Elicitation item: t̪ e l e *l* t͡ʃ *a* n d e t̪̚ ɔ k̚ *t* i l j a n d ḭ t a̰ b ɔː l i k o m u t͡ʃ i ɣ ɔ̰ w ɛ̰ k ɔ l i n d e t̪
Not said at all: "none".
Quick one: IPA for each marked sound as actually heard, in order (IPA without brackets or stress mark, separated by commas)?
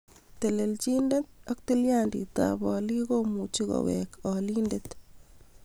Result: l, i, t